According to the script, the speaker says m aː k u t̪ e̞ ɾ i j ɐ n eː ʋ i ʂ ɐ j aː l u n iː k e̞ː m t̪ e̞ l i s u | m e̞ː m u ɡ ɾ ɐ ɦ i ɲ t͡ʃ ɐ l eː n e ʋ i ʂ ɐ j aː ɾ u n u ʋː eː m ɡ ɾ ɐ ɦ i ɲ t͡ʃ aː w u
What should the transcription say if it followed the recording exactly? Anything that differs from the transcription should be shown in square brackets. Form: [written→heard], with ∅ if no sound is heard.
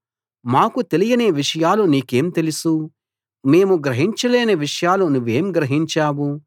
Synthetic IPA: m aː k u t̪ e̞ [ɾ→l] i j ɐ n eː ʋ i ʂ ɐ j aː l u n iː k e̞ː m t̪ e̞ l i s u | m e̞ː m u ɡ ɾ ɐ ɦ i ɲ t͡ʃ ɐ l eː n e ʋ i ʂ ɐ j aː [ɾ→l] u n u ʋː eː m ɡ ɾ ɐ ɦ i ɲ t͡ʃ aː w u